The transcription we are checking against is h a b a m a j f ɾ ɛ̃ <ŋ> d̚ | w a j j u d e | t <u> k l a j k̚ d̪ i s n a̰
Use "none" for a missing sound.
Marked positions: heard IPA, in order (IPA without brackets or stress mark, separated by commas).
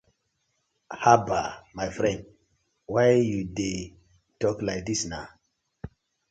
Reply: n, ɔ